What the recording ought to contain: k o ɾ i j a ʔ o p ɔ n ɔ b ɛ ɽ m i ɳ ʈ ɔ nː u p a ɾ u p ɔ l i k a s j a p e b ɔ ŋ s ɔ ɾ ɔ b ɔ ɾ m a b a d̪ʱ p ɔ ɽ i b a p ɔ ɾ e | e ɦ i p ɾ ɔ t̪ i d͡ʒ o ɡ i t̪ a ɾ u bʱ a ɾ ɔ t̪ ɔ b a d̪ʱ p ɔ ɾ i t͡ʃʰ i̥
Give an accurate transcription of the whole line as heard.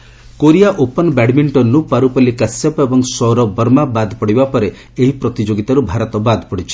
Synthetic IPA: k o ɾ i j a ʔ o p ɔ n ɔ b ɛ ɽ m i ɳ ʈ ɔ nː u p a ɾ u p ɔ l i k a s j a p e b ɔ ŋ s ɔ ɾ ɔ b ɔ ɾ m a b a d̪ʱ p ɔ ɽ i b a p ɔ ɾ e | e ɦ i p ɾ ɔ t̪ i d͡ʒ o ɡ i t̪ a ɾ u bʱ a ɾ ɔ t̪ ɔ b a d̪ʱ p ɔ ɽ i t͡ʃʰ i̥